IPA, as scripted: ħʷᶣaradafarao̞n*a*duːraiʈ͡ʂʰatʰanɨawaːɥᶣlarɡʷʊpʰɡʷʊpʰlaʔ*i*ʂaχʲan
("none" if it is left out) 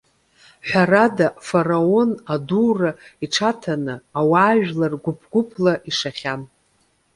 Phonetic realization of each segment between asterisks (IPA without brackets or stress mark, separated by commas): a, i